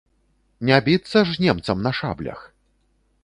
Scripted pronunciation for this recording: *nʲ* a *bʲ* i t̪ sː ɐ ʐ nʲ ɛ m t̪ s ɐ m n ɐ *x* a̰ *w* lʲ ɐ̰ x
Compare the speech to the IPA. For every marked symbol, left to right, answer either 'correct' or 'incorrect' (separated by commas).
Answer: correct, correct, incorrect, incorrect